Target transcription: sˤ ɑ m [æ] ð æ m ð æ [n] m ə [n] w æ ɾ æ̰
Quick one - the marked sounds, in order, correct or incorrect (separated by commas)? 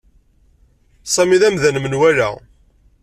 incorrect, correct, correct